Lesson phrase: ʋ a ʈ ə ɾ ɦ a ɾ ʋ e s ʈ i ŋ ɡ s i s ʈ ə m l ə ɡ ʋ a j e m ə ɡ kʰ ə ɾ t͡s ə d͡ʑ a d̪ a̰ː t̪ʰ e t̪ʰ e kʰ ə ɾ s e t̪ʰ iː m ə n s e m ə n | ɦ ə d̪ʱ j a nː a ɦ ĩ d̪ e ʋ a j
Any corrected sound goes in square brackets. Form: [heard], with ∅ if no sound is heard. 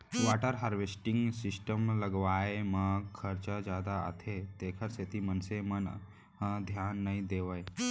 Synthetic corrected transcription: ʋ a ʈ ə ɾ ɦ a ɾ ʋ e s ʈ i ŋ ɡ s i s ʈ ə m l ə ɡ ʋ a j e m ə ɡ kʰ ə ɾ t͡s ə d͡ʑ a d̪ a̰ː t̪ʰ e [t̪] e kʰ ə ɾ s e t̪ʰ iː m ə n s e m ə n | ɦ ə d̪ʱ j a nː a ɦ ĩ d̪ e ʋ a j